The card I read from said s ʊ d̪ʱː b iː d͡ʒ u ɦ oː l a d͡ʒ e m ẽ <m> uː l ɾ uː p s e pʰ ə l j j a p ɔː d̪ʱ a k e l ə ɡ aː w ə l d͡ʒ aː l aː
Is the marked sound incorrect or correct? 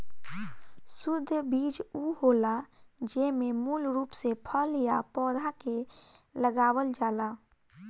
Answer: correct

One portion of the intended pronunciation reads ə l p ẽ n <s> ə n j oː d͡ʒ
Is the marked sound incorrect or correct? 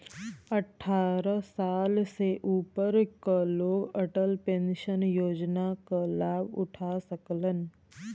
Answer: incorrect: ʃ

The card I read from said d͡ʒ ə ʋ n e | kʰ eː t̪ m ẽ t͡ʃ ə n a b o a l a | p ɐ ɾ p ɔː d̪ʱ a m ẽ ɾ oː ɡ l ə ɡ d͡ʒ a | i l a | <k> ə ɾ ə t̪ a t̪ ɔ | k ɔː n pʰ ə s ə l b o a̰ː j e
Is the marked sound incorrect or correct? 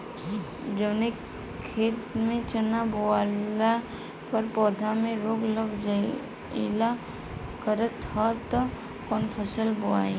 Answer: correct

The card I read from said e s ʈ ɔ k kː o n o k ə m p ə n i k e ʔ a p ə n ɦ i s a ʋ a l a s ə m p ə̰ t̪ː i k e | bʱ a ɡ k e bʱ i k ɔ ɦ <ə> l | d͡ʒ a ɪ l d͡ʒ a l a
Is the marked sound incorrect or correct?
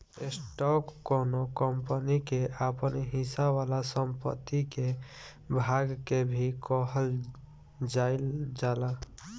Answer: correct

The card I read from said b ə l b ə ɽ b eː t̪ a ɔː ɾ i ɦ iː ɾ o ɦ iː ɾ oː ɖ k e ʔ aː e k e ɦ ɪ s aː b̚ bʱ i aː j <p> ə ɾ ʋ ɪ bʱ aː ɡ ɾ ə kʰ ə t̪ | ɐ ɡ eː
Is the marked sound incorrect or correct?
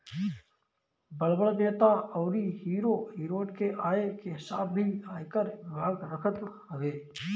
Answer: incorrect: k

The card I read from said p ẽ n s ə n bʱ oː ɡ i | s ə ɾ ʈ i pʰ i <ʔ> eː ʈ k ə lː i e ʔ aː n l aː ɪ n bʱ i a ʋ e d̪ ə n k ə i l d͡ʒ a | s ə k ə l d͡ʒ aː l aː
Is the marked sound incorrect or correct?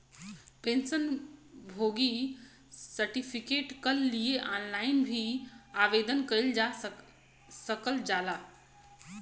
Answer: incorrect: k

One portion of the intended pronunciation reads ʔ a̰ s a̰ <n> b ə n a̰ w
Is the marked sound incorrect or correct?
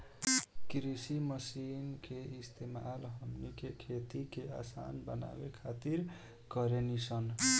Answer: correct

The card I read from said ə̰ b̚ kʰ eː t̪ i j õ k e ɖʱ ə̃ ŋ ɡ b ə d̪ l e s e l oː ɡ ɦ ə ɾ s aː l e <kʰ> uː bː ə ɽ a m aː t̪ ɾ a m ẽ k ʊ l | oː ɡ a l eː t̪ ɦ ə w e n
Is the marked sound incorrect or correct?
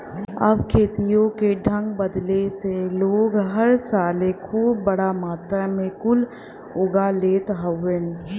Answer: correct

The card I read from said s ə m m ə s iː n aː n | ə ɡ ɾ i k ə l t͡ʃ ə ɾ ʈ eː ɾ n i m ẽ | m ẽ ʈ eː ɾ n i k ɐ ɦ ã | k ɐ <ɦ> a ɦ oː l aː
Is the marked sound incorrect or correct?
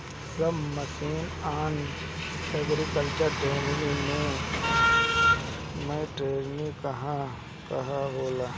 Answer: correct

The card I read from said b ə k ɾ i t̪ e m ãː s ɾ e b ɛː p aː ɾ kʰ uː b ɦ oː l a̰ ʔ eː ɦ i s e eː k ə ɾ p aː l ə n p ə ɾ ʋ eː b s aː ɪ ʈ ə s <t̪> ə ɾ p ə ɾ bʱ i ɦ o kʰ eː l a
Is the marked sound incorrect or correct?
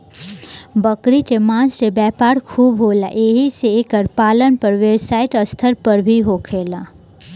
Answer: incorrect: t̪ʰ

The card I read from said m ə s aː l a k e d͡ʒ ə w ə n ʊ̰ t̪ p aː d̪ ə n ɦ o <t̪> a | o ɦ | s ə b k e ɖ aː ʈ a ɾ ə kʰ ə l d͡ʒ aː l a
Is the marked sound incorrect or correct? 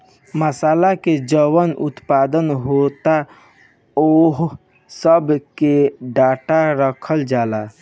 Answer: correct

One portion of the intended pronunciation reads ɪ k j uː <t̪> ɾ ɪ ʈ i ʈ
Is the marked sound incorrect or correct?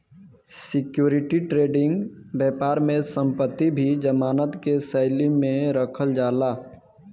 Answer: incorrect: none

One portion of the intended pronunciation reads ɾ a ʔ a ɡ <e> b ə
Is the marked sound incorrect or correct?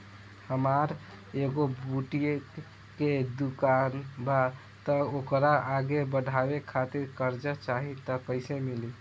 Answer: correct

